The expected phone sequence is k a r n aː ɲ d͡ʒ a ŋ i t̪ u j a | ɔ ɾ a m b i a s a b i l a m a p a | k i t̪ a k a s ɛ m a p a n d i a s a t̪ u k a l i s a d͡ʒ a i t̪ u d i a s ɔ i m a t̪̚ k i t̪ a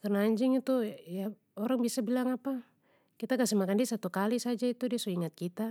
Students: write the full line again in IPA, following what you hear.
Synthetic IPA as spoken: k a r n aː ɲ d͡ʒ i ŋ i t̪ u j a | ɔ ɾ a ŋ b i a s a b i l a ŋ a p a | k i t̪ a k a s ɛ m a k a n d i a s a t̪ u k a l i s a d͡ʒ a i t̪ u d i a s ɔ i ŋ a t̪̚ k i t̪ a